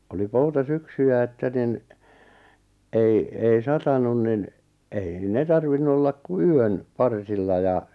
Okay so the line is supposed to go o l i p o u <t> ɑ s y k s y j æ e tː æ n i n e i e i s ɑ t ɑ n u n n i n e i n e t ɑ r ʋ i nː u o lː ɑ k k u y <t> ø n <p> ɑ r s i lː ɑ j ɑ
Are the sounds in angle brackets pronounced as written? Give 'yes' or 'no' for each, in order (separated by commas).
yes, no, yes